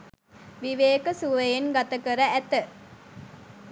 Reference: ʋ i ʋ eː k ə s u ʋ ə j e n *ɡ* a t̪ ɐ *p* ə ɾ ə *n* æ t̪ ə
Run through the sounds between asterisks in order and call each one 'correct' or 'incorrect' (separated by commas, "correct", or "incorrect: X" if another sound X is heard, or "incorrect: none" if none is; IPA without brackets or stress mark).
correct, incorrect: k, incorrect: none